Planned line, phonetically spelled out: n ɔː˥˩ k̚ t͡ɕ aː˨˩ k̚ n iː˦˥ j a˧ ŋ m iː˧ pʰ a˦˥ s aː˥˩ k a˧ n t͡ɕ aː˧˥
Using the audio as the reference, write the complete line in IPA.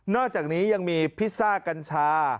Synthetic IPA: n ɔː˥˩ k̚ t͡ɕ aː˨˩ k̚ n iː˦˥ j a˧ ŋ m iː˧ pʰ i˦˥ s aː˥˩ k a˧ n t͡ɕʰ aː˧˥